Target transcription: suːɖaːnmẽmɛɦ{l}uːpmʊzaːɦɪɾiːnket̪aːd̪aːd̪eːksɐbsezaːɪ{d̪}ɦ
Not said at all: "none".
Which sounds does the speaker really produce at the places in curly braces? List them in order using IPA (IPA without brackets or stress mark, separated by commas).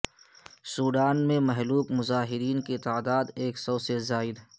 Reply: l, d̪